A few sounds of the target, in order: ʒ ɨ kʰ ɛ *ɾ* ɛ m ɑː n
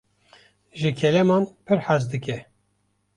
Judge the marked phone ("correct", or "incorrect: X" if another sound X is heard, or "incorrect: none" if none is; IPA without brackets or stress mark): incorrect: l